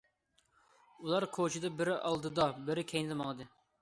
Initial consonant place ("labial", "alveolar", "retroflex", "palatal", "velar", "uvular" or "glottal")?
alveolar